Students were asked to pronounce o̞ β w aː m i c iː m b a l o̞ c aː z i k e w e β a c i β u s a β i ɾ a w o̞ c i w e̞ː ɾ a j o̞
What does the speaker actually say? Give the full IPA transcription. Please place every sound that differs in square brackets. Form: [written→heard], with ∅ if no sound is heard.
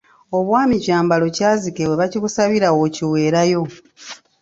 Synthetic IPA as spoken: o̞ β w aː m i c [iː→aː] m b a l o̞ c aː z i k e w e β a c i β u s a β i ɾ a w o̞ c i w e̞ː ɾ a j o̞

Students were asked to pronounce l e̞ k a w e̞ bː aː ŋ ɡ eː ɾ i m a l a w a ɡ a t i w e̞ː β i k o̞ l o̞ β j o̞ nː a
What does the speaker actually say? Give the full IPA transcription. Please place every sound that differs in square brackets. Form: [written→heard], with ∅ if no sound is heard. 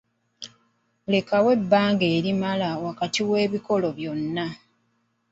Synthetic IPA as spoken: l e̞ k a w e̞ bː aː ŋ ɡ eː ɾ i m a l a w a [ɡ→k] a t i w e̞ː β i k o̞ l o̞ β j o̞ nː a

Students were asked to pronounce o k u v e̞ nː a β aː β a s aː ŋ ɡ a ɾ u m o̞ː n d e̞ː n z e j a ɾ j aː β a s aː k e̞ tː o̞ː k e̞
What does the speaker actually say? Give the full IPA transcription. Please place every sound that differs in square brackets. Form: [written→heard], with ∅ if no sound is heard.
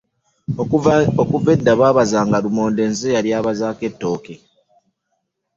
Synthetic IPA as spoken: o k u v e̞ [nː→dː] a β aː β a [s→z] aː ŋ ɡ a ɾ u m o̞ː n d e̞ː n z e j a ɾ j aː β a [s→z] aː k e̞ tː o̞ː k e̞

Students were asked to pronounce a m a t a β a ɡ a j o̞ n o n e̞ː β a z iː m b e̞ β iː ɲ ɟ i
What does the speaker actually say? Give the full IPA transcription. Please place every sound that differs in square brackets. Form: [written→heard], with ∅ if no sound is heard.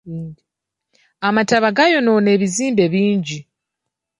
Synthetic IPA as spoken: a m a t a β a ɡ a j o̞ n o n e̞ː β [a→i] z iː m b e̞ β iː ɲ ɟ i

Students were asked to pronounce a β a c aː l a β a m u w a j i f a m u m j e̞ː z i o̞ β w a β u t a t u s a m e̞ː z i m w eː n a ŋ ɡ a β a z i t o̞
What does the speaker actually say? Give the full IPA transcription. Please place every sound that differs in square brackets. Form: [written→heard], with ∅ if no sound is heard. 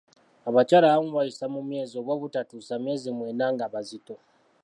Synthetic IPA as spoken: a β a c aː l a β a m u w a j i [f→s] a m u m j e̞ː z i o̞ β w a β u t a t u s a m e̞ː z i m w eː n a ŋ ɡ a β a z i t o̞

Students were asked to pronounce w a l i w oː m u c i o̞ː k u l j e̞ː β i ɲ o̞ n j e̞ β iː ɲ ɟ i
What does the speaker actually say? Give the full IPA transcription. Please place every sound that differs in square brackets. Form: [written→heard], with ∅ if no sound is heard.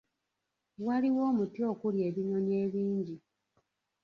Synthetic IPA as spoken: w a l i w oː m u [c→t] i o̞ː k u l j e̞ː β i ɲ o̞ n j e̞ β iː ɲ ɟ i

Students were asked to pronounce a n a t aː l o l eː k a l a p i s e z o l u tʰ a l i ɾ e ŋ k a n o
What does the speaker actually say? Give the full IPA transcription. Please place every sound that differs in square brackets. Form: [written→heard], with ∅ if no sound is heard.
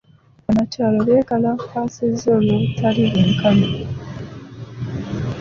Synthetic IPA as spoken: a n a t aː l o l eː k a l a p [i→a] s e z o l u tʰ a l i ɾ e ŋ k a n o

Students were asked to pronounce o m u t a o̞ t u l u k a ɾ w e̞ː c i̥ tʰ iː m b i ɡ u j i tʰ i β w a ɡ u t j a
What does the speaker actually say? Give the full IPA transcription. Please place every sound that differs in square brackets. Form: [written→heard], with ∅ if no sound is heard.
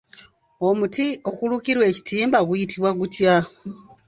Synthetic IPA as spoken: o m u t [a→i] o̞ [t→k] u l u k [a→i] ɾ w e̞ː c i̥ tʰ iː m b [i→a] ɡ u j i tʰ i β w a ɡ u t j a

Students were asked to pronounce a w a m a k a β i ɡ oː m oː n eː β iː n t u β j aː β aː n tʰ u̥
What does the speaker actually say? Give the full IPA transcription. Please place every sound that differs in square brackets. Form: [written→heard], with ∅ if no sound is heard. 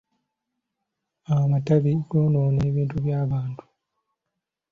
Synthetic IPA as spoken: a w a m a [k→t] a β i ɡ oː [m→n] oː n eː β iː n t u β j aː β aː n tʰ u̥

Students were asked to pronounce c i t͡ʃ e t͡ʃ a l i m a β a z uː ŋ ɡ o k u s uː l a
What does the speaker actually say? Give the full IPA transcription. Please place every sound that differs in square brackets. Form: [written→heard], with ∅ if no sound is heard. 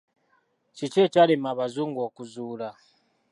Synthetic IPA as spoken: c i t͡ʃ e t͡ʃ a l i m a β a z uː ŋ ɡ o k u [s→z] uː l a

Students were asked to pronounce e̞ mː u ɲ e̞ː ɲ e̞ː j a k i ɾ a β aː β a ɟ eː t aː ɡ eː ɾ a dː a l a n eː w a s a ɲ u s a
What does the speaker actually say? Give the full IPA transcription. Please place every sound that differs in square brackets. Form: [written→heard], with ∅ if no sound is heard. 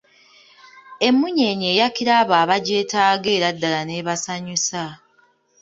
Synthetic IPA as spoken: e̞ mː u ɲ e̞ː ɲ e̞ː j a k i ɾ a β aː β a ɟ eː t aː ɡ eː ɾ a dː a l a n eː [w→β] a s a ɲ u s a

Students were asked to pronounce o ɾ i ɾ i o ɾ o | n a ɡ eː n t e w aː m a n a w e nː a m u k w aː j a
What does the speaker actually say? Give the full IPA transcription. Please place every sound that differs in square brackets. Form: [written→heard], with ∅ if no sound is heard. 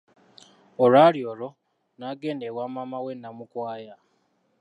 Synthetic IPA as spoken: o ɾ [i→a] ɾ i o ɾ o | n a ɡ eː n [t→d] e w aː m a [n→m] a w e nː a m u k w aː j a

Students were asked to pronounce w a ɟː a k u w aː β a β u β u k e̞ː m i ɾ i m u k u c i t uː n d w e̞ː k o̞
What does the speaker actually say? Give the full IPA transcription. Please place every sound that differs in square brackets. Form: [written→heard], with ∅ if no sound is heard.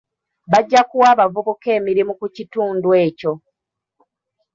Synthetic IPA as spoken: [w→β] a ɟː a k u w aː β a [β→v] u β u k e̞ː m i ɾ i m u k u c i t uː n d w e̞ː [k→c] o̞

